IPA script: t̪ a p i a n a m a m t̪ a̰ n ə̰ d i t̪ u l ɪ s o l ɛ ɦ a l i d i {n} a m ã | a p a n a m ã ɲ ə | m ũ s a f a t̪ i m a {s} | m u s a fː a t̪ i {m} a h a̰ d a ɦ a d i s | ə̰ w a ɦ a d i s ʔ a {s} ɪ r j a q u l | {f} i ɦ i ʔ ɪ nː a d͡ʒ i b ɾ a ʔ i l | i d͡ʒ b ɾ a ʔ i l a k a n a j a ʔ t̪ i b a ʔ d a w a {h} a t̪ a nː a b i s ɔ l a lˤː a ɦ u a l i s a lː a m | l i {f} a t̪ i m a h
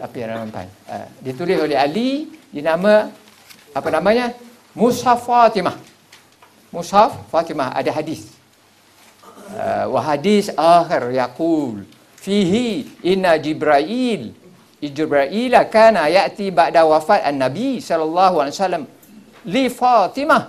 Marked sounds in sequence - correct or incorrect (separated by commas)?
correct, incorrect, correct, incorrect, correct, incorrect, correct